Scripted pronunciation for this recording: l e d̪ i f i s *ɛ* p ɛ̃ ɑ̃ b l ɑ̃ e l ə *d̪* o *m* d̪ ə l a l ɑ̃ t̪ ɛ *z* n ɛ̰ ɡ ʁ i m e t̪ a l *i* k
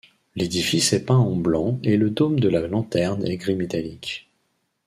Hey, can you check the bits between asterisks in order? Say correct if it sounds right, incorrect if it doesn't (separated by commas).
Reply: correct, correct, correct, incorrect, correct